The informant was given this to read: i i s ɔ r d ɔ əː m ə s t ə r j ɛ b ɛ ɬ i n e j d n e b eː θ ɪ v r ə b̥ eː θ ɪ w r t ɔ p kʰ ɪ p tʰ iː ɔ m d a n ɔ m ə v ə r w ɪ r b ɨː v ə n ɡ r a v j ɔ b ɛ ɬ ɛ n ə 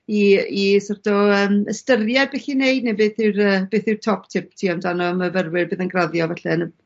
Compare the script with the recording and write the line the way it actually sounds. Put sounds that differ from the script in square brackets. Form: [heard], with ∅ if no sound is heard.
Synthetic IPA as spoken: i i s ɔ r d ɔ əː m ə s t ə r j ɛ b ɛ ɬ i n e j d n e b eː θ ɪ [w] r ə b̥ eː θ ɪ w r [tʰ] ɔ p [tʰ] ɪ p tʰ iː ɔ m d a n ɔ m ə v ə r w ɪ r b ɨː [ð] ə n ɡ r a [ð] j ɔ [v] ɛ ɬ ɛ n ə